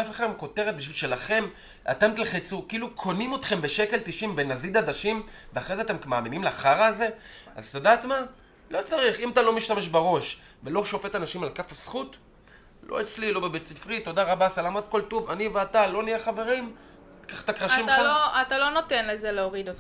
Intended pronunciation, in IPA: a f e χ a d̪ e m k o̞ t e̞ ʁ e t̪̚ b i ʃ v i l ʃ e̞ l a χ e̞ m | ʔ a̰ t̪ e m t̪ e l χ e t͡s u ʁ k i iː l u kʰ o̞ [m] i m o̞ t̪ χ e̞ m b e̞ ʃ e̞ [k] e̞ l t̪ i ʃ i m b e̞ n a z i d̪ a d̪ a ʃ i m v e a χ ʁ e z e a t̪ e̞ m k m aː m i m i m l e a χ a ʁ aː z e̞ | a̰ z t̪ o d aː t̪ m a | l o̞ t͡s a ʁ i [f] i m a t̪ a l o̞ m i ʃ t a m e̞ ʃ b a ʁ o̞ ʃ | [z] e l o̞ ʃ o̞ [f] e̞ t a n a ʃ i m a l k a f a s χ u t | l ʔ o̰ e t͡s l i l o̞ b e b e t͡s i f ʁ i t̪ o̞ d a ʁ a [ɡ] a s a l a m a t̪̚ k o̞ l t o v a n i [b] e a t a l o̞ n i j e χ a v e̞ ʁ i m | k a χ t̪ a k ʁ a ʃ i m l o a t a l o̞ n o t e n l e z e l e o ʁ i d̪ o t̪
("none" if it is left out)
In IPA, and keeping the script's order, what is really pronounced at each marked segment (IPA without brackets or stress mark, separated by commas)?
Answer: n, k, χ, v, f, b, v